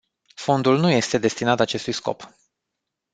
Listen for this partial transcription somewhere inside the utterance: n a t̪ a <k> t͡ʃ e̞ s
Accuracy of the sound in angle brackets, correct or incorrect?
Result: incorrect